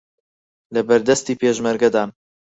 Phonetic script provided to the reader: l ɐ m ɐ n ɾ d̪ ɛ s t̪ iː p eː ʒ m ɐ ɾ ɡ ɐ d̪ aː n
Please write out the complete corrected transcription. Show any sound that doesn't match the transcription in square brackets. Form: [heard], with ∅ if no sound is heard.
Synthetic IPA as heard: l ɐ [b] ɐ [∅] ɾ d̪ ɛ s t̪ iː p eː ʒ m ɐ ɾ ɡ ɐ d̪ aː n